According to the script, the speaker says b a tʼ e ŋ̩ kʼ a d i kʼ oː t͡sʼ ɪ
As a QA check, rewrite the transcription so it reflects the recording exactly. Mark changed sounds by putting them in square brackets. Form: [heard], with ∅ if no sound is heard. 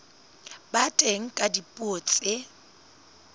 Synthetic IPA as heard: b a tʼ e ŋ̩ kʼ a d i [pʼ] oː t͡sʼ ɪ